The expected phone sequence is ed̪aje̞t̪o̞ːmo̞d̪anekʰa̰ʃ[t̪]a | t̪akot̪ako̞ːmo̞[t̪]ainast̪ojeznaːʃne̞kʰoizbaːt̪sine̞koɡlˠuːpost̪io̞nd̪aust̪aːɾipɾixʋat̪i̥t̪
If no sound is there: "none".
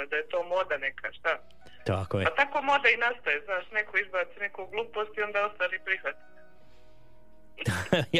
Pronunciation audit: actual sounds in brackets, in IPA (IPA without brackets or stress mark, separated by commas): t̪, d̪